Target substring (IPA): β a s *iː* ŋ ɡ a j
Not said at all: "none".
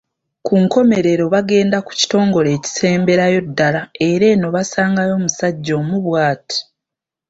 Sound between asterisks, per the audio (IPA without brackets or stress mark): aː